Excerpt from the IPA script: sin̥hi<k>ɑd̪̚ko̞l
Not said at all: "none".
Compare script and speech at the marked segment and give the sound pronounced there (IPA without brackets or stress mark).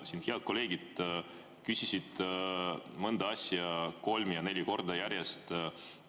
none